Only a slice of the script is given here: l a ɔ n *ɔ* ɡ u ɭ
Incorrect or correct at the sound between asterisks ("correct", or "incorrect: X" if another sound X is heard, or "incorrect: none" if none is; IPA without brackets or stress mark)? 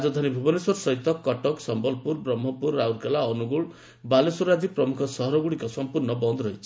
incorrect: u